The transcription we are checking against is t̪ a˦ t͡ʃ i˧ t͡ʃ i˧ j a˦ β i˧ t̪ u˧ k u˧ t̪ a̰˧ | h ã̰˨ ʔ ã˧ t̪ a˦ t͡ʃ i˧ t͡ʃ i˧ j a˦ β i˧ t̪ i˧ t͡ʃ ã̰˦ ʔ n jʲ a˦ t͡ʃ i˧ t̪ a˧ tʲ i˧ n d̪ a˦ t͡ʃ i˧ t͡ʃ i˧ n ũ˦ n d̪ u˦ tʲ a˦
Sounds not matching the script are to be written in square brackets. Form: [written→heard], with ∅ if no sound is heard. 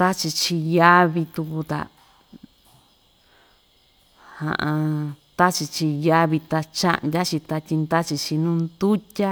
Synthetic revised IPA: t̪ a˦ t͡ʃ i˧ t͡ʃ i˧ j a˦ β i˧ t̪ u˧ k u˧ t̪ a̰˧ | h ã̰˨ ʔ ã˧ t̪ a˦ t͡ʃ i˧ t͡ʃ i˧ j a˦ β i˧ t̪ [i˧→a˧] t͡ʃ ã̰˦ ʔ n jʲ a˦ t͡ʃ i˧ t̪ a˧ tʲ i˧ n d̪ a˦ t͡ʃ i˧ t͡ʃ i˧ n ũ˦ n d̪ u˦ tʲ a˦